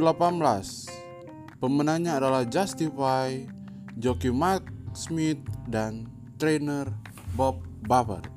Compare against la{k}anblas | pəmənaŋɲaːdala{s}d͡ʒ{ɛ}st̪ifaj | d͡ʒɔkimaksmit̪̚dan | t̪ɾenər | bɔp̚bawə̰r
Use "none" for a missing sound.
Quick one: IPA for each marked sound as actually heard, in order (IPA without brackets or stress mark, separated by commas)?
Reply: p, h, a